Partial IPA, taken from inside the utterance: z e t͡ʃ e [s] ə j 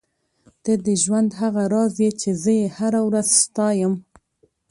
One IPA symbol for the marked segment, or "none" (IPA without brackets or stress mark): z